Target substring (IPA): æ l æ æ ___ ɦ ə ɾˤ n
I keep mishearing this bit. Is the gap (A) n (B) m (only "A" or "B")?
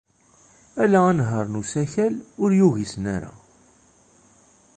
A